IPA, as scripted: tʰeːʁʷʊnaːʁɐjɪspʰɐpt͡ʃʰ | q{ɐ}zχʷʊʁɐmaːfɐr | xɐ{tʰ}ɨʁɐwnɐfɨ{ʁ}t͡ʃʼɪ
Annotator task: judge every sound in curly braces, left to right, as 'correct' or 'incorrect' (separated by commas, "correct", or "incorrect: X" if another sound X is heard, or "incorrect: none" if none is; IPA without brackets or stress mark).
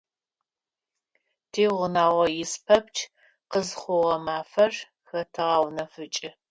incorrect: ə, correct, incorrect: none